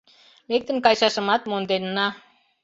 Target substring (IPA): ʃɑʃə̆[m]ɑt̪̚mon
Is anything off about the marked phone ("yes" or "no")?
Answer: no